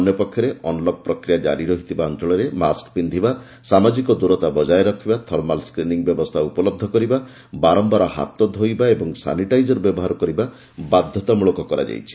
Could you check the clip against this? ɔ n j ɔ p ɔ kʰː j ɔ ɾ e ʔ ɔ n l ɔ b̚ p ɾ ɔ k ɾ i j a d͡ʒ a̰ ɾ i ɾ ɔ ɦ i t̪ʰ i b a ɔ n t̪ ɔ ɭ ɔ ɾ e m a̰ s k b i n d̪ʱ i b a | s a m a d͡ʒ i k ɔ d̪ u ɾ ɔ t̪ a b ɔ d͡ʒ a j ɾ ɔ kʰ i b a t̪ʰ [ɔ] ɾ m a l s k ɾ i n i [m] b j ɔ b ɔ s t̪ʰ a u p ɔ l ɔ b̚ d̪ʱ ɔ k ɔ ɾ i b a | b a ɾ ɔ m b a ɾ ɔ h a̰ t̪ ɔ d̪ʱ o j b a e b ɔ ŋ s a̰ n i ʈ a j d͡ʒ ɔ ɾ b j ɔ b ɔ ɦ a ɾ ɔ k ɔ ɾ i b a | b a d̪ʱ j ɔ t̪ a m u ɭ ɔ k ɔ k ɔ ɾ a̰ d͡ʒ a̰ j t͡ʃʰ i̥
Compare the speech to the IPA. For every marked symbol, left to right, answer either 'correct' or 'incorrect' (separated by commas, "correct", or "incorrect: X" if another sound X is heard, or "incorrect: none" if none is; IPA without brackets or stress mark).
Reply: correct, incorrect: ŋ